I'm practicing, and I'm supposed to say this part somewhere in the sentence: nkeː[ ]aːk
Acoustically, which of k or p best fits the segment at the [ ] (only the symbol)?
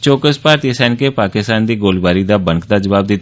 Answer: p